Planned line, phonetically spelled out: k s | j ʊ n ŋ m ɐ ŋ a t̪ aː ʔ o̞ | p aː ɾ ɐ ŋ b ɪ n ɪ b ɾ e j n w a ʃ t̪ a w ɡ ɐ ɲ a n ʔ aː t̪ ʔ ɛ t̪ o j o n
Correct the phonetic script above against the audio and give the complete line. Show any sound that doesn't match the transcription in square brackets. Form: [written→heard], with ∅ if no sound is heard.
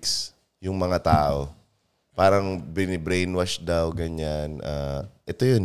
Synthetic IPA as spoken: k s | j ʊ [n→∅] ŋ m ɐ ŋ a t̪ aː ʔ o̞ | p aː ɾ ɐ ŋ b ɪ n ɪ b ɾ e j n w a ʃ [t̪→d̪] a w ɡ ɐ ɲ a n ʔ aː [t̪→∅] ʔ ɛ t̪ o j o n